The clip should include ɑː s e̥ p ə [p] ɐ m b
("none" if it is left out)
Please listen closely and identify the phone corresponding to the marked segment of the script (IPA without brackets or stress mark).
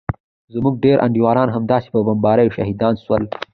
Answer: b